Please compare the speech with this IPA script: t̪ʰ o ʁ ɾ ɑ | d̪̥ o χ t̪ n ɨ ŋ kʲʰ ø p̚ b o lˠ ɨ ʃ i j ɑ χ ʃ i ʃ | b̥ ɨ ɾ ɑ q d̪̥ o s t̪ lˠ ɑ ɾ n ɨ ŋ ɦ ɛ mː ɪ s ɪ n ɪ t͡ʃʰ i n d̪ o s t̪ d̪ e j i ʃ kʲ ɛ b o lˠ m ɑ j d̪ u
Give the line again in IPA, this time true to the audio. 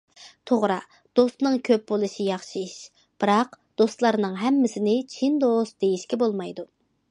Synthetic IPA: t̪ʰ o ʁ ɾ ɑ | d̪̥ o s t̪ n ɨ ŋ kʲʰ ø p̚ b o lˠ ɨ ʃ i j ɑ χ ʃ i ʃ | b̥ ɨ ɾ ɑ q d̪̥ o s t̪ lˠ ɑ ɾ n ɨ ŋ ɦ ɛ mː ɪ s ɪ n ɪ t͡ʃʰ i n d̪ o s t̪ d̪ e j i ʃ kʲ ɛ b o lˠ m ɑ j d̪ u